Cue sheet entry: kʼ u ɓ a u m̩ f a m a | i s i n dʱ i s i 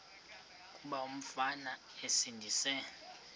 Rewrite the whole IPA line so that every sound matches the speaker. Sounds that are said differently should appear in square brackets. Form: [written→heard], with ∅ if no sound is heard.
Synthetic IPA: kʼ u ɓ a u m̩ f a [m→n] a | [i→e] s i n dʱ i s [i→ɛ]

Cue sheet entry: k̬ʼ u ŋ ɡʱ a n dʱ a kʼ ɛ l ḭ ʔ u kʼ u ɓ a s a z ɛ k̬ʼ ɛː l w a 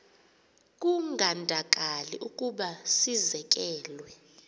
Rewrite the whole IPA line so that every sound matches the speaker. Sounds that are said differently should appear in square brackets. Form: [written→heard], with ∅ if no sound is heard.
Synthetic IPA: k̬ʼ u ŋ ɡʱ a n dʱ a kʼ [ɛ→a] l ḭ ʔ u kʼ u ɓ a s [a→i] z ɛ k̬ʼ ɛː l w [a→ɛ]

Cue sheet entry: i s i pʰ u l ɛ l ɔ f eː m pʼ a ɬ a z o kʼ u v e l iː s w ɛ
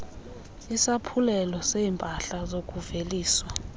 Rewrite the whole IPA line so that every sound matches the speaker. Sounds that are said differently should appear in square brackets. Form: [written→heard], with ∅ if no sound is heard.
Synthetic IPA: i s [i→a] pʰ u l ɛ l ɔ [f→s] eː m pʼ a ɬ a z o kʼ u v e l iː s w [ɛ→a]

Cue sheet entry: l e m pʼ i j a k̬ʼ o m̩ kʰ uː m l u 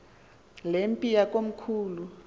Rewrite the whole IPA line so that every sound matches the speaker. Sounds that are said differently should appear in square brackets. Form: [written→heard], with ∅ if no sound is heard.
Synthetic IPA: l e m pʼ i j a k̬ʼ o m̩ kʰ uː [m→∅] l u

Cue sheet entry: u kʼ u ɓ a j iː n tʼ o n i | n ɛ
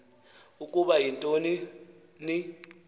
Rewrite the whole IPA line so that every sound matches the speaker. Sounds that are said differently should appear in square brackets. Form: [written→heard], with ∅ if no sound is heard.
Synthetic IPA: u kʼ u ɓ a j [iː→i] n tʼ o n i | n [ɛ→i]

